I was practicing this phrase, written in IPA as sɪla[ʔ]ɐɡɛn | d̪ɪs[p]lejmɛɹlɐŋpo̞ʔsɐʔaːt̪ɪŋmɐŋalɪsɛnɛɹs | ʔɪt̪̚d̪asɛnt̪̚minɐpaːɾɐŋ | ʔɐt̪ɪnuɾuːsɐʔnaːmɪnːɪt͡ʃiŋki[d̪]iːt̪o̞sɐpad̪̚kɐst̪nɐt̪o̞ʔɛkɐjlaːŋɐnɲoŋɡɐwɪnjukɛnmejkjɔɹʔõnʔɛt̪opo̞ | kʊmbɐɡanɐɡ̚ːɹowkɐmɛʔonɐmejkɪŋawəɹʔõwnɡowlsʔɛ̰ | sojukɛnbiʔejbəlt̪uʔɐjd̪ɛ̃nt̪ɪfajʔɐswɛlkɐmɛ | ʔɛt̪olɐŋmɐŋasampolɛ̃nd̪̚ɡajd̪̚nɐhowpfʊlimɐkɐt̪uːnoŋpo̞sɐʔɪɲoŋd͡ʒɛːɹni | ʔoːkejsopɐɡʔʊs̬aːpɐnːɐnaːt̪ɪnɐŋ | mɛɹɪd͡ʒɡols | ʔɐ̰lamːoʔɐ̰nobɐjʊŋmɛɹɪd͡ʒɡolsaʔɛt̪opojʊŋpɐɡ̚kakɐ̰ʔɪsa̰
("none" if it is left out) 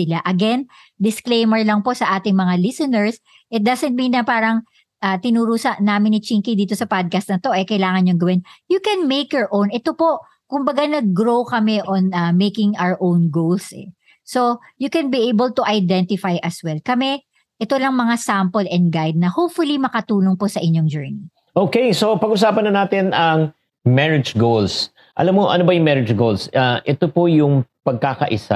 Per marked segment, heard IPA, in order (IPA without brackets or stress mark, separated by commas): ʔ, k, d̪